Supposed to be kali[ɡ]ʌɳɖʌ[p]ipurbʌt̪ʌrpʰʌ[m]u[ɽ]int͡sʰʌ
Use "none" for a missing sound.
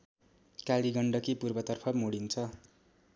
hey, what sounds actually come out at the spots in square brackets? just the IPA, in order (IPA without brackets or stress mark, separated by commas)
ɡ, k, m, ɽ